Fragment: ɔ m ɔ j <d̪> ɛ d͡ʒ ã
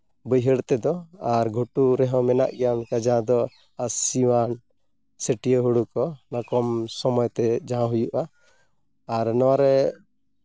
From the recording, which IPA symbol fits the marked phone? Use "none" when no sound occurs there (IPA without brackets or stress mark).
t̪